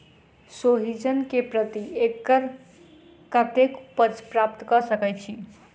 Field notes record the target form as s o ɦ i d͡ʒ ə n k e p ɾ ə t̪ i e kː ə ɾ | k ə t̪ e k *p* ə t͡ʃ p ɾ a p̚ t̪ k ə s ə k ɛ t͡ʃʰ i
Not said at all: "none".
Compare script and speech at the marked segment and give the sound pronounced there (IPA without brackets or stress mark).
p